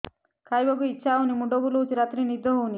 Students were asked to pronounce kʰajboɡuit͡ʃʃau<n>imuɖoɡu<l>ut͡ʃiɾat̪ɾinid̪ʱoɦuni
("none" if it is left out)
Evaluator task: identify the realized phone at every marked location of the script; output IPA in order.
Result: n, l

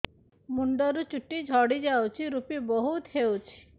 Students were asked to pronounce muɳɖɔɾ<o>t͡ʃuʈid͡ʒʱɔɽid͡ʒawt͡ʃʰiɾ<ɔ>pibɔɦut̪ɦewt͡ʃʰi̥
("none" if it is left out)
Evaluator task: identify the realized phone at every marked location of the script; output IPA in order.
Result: u, u

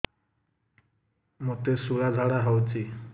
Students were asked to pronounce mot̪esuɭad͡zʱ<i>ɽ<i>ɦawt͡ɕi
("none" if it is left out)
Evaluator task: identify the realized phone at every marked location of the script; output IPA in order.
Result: a, a

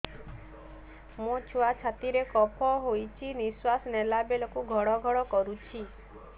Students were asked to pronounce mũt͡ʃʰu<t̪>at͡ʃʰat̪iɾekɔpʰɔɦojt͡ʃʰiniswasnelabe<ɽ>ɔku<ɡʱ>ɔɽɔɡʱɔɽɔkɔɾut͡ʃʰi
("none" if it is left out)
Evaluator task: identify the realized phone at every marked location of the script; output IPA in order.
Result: none, l, ɡʱ

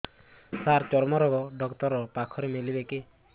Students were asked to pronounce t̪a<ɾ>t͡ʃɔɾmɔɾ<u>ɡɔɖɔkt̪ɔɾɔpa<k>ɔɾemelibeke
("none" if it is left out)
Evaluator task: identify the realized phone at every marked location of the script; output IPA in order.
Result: ɾ, ɔ, kʰ

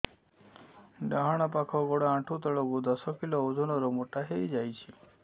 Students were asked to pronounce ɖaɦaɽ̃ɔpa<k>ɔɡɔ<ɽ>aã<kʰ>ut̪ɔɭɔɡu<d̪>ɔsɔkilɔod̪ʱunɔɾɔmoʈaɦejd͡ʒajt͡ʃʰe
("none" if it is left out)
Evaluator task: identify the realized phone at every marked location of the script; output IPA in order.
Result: kʰ, ɽ, ʈʰ, d̪

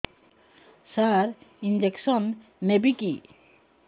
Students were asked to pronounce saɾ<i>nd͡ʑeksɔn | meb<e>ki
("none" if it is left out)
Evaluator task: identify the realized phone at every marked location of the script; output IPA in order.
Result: i, i

